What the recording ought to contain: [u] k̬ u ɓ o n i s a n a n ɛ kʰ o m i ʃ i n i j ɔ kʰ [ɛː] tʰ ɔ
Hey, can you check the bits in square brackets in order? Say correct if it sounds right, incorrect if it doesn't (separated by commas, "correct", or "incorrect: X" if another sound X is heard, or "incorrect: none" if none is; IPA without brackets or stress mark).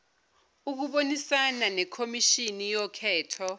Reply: correct, correct